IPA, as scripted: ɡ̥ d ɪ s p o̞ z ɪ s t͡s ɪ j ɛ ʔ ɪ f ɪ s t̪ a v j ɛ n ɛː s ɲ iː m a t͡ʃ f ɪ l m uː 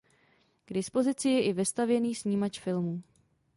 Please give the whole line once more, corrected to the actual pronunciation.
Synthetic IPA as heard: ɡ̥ d ɪ s p o̞ z ɪ t͡s ɪ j ɛ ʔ ɪ v ɪ s t̪ a v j ɛ n iː s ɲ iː m a t͡ʃ f ɪ l m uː